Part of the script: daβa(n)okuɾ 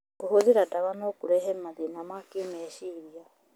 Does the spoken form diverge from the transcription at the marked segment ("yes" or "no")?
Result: no